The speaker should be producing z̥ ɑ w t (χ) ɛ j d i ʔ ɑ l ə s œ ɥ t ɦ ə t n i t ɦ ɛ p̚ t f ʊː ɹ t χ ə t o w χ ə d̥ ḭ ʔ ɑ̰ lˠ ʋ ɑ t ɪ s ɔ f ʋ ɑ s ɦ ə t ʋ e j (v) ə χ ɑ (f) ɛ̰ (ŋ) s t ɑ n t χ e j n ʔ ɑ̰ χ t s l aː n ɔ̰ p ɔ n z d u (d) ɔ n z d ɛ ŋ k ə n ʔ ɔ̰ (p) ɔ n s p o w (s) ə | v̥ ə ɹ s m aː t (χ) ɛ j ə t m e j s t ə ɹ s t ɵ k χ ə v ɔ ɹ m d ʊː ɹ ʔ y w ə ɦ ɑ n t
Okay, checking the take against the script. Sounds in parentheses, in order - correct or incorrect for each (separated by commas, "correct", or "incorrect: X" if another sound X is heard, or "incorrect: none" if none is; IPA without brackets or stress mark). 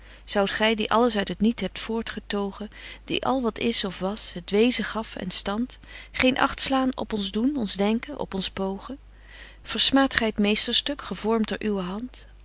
correct, incorrect: z, correct, incorrect: n, incorrect: n, correct, incorrect: χ, correct